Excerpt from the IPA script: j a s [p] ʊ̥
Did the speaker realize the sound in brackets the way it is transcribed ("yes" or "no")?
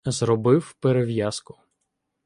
no